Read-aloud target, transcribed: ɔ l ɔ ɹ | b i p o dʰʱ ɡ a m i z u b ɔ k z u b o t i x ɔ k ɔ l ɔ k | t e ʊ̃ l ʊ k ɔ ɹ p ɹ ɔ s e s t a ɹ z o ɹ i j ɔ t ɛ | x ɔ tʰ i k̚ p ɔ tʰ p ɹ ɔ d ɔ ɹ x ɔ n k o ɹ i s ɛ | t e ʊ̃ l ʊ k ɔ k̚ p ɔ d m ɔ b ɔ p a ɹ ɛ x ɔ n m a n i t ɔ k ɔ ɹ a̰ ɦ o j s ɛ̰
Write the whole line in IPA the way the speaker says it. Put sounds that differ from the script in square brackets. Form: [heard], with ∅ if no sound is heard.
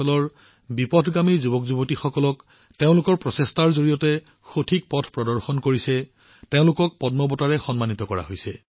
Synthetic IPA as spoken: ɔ l ɔ ɹ | b i p [ɔ] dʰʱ ɡ a m i z u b ɔ k z u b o t i x ɔ k ɔ l ɔ k | t e ʊ̃ l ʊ k ɔ ɹ p ɹ ɔ s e s t a ɹ z o ɹ i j ɔ t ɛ | x [o] tʰ i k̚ p ɔ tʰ p ɹ ɔ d ɔ ɹ x ɔ n k o ɹ i s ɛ | t e ʊ̃ l ʊ k ɔ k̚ p ɔ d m ɔ b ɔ [t] a ɹ ɛ x ɔ n m a n i t ɔ k ɔ ɹ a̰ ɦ o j s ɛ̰

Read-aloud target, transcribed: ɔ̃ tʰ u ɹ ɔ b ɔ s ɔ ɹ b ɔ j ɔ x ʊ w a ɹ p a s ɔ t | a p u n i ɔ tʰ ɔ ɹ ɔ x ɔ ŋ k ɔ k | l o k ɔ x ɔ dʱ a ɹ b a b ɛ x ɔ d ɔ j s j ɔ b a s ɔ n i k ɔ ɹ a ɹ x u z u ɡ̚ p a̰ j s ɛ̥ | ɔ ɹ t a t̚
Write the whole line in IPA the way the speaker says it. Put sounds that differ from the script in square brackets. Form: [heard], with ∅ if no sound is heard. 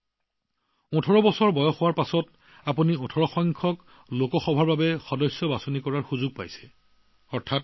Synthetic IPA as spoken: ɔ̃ tʰ [ɔ] ɹ ɔ b ɔ s ɔ ɹ b ɔ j ɔ x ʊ w a ɹ p a s ɔ t | a p u n i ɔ tʰ ɔ ɹ ɔ x ɔ ŋ [kʰ] ɔ k | l o k ɔ x ɔ [bʱ] a ɹ b a b ɛ x ɔ d ɔ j s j ɔ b a s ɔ n i k ɔ ɹ a ɹ x u z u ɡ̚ p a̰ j s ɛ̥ | ɔ ɹ [tʰ] a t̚

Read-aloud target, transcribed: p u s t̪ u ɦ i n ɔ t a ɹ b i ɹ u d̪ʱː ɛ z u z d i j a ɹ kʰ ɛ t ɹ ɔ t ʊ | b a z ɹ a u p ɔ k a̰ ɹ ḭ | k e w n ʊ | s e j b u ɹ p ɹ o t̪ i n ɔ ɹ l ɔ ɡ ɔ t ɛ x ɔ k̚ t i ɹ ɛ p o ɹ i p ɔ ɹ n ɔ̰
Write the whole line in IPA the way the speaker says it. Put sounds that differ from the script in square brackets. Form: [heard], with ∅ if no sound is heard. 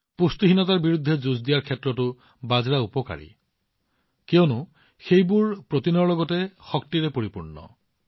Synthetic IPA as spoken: p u s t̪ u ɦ i n ɔ t a ɹ b i ɹ u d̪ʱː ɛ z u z d i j a ɹ kʰ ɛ t ɹ ɔ t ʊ | b a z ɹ a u p ɔ k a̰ ɹ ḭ | k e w n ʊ | [x] e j b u ɹ p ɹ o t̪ i n ɔ ɹ l ɔ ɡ ɔ t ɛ x ɔ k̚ t i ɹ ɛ p o ɹ i p [u] ɹ n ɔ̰

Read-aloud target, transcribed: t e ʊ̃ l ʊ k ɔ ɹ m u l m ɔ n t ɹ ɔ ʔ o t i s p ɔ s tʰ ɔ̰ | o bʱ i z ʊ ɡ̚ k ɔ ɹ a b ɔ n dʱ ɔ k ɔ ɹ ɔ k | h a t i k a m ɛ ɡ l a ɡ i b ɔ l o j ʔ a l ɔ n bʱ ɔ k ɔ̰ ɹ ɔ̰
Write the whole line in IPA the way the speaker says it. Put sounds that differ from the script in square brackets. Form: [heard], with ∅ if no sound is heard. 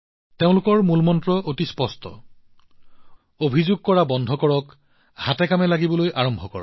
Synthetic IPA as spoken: t e ʊ̃ l ʊ k ɔ ɹ m u l m ɔ n t ɹ ɔ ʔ o t i s p ɔ s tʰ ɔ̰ | o bʱ i z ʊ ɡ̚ k ɔ ɹ a b ɔ n dʱ ɔ k ɔ ɹ ɔ k | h a t [ɛ] k a m ɛ [∅] l a ɡ i b ɔ l o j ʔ a [ɹ] ɔ [m] bʱ ɔ k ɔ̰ ɹ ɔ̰

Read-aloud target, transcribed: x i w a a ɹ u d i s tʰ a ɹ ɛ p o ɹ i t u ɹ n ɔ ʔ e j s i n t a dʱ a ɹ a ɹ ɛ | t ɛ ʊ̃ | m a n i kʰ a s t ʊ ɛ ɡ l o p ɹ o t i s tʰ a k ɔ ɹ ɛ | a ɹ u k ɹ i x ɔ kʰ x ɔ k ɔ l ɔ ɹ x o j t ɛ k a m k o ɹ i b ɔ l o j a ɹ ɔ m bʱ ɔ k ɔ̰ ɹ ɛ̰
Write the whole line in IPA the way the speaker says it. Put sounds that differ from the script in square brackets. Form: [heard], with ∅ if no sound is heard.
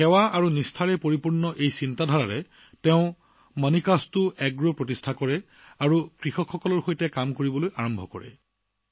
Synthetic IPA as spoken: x [ɛ] w a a ɹ u [n] i s tʰ a ɹ ɛ p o ɹ i [p] u ɹ n ɔ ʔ e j s i n t a dʱ a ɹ a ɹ ɛ | t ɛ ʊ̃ | m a n i [k] a s t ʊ ɛ ɡ [ɹ] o p ɹ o t i s tʰ a k ɔ ɹ ɛ | a ɹ u k ɹ i x ɔ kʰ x ɔ k ɔ l ɔ ɹ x o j t ɛ k a m k o ɹ i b ɔ l o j a ɹ ɔ m bʱ ɔ k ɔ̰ ɹ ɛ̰

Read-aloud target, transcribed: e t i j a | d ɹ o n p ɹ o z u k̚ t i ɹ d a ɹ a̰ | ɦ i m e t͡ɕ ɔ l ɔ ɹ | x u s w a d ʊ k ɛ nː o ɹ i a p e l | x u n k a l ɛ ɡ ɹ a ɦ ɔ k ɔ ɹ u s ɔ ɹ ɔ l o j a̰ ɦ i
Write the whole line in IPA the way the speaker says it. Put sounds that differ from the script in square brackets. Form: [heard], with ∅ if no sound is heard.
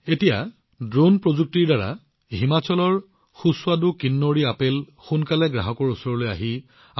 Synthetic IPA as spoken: e t i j a | d ɹ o n p ɹ o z u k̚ t i ɹ d a ɹ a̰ | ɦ i m [a] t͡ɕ ɔ l ɔ ɹ | x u s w a d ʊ k [i] nː o ɹ i a p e l | x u n k a l ɛ ɡ ɹ a ɦ ɔ k ɔ ɹ u s ɔ ɹ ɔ l o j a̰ ɦ i

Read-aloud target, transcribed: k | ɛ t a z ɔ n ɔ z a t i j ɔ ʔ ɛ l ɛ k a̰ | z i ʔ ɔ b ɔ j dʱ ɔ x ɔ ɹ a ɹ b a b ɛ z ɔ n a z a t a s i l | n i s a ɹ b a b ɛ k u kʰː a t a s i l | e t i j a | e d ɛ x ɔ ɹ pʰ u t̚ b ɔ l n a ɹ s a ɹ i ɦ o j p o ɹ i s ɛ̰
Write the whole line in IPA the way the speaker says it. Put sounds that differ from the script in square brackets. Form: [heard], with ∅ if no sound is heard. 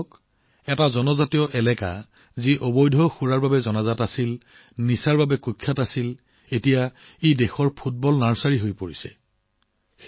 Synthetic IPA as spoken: k | ɛ t a z ɔ n ɔ z a t i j ɔ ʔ ɛ l ɛ k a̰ | z i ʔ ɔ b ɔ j dʱ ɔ x [u] ɹ a ɹ b a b ɛ z ɔ n a z a t a s i l | n i s a ɹ b a b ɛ k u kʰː a t a s i l | e t i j a | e d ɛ x ɔ ɹ pʰ u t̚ b ɔ l n a ɹ s a ɹ i ɦ o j p o ɹ i s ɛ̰

